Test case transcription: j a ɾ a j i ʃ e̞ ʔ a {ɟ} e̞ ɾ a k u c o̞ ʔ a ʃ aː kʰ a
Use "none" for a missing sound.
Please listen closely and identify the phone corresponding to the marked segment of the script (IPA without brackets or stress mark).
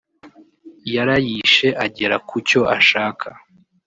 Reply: ɟ